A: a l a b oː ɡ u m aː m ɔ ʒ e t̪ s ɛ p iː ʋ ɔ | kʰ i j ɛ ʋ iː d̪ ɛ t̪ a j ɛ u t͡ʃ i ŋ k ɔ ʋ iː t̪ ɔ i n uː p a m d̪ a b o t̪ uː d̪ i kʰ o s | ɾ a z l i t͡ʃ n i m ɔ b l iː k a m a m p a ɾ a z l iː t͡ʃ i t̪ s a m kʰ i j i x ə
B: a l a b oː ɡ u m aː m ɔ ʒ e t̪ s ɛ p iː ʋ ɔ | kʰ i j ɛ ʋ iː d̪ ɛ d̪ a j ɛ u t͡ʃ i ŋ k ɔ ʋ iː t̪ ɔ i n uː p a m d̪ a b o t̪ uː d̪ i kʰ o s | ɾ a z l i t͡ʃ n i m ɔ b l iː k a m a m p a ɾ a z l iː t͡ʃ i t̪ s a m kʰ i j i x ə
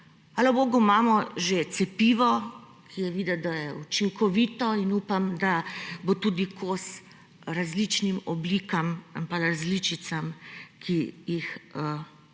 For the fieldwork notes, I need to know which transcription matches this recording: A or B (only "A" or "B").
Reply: B